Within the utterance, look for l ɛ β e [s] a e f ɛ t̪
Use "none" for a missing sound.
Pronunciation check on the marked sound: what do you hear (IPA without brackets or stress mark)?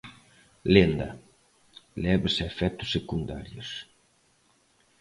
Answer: s